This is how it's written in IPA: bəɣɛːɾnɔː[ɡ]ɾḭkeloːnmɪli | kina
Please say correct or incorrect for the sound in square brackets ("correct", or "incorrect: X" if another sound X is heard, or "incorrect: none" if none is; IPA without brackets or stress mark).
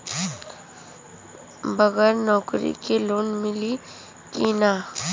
incorrect: k